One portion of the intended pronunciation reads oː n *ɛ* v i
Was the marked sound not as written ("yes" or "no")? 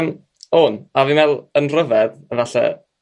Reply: yes